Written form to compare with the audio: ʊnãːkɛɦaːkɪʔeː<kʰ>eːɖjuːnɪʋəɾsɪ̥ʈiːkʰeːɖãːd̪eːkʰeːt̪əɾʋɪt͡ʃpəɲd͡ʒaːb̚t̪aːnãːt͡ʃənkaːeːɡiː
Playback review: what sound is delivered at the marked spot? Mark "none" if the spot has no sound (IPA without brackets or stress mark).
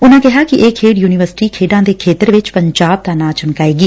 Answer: kʰ